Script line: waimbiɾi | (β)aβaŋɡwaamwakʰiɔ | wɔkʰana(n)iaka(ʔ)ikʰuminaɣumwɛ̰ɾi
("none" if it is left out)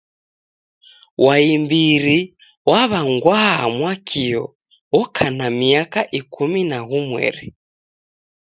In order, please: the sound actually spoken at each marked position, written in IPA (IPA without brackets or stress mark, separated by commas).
w, m, ʔ